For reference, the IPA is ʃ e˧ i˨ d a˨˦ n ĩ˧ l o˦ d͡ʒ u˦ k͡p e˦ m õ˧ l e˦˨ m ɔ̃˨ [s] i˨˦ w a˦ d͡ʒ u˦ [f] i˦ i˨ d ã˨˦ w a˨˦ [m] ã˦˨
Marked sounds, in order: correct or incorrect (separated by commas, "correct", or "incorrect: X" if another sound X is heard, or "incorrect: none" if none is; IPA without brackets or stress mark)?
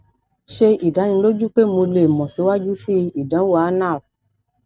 correct, incorrect: s, incorrect: n